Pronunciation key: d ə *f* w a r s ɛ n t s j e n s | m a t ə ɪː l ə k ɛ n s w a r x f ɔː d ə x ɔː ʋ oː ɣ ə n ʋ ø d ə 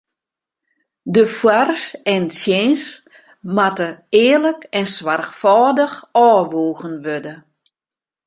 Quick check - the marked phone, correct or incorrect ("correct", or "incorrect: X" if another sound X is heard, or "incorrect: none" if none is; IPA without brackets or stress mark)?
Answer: correct